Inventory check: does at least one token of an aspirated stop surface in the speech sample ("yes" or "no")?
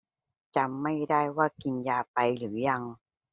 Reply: no